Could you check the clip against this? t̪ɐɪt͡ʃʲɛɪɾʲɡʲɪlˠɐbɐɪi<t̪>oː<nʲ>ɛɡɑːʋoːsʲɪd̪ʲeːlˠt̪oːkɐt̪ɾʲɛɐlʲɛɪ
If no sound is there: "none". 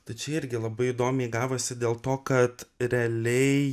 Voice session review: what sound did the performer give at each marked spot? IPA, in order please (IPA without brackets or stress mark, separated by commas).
d̪, mʲ